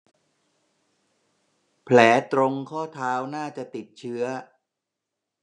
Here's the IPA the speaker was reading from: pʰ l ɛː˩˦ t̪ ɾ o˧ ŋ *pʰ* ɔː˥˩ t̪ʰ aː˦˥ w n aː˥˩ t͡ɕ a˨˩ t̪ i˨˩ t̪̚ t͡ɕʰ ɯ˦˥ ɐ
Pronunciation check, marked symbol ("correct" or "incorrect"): incorrect